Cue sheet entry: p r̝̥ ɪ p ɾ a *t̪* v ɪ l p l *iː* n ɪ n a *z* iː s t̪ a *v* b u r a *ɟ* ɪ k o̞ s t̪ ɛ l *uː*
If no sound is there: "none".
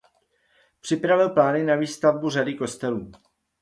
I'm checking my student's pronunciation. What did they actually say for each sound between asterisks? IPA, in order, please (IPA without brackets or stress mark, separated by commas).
none, aː, v, v, d, uː